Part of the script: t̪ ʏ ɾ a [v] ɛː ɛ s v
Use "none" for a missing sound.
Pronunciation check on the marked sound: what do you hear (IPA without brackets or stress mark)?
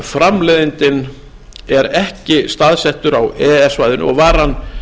w